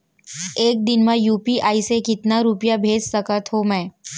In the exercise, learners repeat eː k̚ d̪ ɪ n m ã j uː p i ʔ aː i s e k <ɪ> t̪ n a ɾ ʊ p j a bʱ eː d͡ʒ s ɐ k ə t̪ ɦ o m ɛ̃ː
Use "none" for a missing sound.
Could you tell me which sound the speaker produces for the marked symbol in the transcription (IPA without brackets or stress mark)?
ɪ